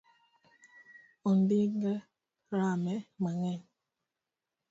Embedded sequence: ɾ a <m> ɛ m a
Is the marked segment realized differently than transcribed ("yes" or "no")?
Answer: no